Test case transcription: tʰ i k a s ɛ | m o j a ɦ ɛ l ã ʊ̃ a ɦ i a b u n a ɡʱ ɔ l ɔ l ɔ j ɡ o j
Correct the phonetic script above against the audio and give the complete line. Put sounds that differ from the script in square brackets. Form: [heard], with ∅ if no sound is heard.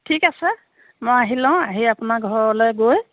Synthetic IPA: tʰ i k a s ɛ | m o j a ɦ [i] l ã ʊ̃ a ɦ i a [p] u n a ɡʱ ɔ [ɹ] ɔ l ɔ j ɡ o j